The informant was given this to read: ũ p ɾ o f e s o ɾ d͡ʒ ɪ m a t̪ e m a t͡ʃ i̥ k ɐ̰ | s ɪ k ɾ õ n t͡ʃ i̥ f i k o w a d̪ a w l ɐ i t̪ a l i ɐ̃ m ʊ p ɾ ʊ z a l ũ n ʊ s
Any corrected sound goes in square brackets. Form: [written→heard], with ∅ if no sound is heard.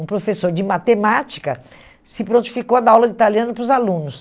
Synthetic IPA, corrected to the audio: ũ p ɾ o f e s o ɾ d͡ʒ ɪ m a t̪ e m a t͡ʃ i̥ k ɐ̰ | s ɪ [k→p] ɾ õ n t͡ʃ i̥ f i k o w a d̪ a w l ɐ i t̪ a l i ɐ̃ [m→n] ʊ p ɾ ʊ z a l ũ n ʊ s